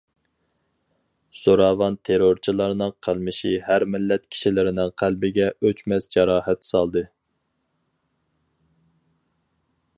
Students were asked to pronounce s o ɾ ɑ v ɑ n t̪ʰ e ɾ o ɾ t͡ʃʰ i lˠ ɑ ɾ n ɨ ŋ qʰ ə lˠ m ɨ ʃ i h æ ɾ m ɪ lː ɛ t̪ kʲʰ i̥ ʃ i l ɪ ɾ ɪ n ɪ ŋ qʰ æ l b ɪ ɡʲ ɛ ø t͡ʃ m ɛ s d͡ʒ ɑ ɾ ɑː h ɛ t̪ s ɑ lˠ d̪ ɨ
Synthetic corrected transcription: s o ɾ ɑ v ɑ n t̪ʰ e ɾ o ɾ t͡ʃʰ i lˠ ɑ ɾ n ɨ ŋ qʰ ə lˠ m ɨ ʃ i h æ ɾ m ɪ lː ɛ t̪ kʲʰ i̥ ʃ i l ɪ ɾ ɪ n ɪ ŋ qʰ æ l b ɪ ɡʲ ɛ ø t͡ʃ m ɛ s d͡ʒ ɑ ɾ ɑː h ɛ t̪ s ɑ lˠ d̪ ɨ

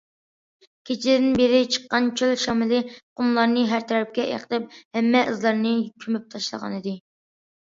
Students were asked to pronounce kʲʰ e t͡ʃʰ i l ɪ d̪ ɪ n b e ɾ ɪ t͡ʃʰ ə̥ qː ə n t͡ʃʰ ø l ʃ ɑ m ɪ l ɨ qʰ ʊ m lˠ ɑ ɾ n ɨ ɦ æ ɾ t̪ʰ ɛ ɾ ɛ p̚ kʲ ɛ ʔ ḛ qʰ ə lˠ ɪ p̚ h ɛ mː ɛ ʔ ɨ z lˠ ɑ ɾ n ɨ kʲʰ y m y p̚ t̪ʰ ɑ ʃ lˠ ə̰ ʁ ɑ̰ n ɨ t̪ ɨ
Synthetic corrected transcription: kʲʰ e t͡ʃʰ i l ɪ d̪ ɪ n b e ɾ ɪ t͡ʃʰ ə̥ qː ɑ n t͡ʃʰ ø l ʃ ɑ m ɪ l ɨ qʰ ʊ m lˠ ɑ ɾ n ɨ ɦ æ ɾ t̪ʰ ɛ ɾ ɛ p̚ kʲ ɛ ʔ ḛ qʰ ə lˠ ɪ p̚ h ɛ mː ɛ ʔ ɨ z lˠ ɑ ɾ n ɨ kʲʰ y m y p̚ t̪ʰ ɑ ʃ lˠ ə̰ ʁ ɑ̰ n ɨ d̪ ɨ

